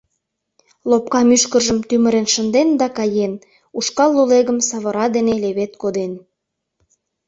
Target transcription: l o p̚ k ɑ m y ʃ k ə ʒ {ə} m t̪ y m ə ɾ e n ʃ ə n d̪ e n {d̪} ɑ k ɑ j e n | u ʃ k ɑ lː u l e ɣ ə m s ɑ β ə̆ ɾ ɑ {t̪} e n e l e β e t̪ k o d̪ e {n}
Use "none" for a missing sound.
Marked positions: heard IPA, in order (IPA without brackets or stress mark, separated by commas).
ə, d̪, d̪, n